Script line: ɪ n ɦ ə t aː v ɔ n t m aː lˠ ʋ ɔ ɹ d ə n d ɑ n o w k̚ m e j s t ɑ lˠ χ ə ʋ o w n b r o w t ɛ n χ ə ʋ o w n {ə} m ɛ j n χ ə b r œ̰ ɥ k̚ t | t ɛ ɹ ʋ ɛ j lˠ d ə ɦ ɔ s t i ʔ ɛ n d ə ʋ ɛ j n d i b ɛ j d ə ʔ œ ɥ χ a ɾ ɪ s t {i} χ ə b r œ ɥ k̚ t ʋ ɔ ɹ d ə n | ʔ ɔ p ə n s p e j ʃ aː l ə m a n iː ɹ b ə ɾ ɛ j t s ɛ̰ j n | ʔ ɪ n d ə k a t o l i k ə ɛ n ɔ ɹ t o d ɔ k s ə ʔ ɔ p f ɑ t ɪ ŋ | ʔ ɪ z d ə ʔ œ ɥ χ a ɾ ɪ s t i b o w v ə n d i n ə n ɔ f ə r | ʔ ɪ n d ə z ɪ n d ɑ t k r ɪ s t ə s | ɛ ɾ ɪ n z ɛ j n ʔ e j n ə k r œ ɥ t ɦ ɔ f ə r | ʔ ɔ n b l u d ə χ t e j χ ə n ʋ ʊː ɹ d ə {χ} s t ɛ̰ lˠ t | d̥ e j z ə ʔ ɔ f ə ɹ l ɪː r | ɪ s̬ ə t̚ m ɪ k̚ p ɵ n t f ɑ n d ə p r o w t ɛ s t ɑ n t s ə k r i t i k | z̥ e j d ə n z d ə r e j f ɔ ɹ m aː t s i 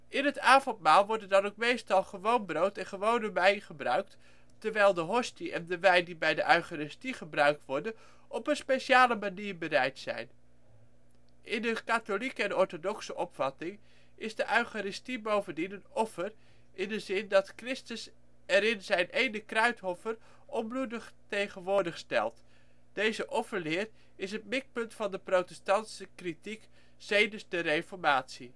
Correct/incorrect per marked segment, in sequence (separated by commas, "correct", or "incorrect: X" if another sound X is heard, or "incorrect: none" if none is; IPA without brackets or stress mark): correct, correct, correct